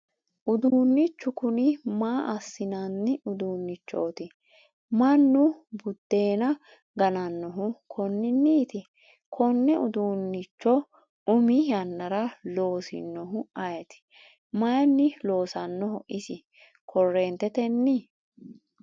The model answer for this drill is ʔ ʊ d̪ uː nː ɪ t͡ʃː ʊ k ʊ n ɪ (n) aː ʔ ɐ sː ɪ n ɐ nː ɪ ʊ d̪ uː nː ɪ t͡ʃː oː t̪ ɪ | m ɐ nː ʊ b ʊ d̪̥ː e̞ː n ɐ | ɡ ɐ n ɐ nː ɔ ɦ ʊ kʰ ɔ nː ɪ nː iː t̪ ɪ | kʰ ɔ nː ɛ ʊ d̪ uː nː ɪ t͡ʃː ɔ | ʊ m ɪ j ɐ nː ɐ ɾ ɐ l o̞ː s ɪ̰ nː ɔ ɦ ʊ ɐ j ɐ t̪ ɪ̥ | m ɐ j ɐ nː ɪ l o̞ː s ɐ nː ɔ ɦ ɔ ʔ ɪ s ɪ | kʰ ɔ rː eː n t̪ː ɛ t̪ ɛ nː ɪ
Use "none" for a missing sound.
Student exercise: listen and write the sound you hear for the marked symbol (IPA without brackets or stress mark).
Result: m